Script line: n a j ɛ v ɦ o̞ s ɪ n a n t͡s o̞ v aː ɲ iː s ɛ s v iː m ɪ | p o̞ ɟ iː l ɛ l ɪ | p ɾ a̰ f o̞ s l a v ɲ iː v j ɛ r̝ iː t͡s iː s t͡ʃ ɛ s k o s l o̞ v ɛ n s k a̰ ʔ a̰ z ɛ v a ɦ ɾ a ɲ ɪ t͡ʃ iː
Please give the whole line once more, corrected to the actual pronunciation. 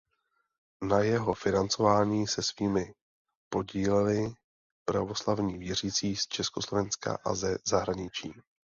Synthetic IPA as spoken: n a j ɛ ɦ o̞ f ɪ n a n t͡s o̞ v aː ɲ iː s ɛ s v iː m ɪ | p o̞ ɟ iː l ɛ l ɪ | p ɾ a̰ v o̞ s l a v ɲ iː v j ɛ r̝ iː t͡s iː s t͡ʃ ɛ s k o s l o̞ v ɛ n s k a̰ ʔ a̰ z ɛ z a ɦ ɾ a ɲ ɪ t͡ʃ iː